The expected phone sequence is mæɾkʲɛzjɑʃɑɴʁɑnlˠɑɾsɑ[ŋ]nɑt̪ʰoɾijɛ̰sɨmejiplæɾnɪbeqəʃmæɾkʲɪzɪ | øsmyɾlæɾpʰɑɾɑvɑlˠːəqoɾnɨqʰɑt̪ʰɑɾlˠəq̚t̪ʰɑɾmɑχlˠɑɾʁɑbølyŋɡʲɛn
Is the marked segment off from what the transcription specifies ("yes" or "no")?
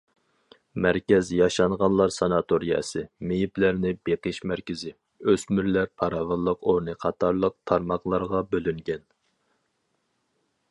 yes